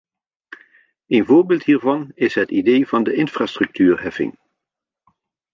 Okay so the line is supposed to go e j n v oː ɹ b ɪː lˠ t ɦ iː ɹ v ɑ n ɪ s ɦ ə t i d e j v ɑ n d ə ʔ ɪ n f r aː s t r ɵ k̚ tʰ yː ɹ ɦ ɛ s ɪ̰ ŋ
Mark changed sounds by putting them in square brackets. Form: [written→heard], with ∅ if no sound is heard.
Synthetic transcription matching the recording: e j n v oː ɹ b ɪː lˠ t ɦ iː ɹ v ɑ n ɪ s ɦ ə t i d e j v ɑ n d ə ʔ ɪ n f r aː s t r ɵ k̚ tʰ yː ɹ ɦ ɛ [s→f] ɪ̰ ŋ